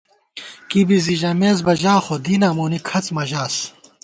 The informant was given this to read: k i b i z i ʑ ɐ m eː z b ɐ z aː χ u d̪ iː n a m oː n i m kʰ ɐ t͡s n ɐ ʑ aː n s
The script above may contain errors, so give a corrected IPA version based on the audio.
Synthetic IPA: k i b i z i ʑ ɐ m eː z b ɐ ʑ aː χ o d̪ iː n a m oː n i kʰ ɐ t͡s m ɐ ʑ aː s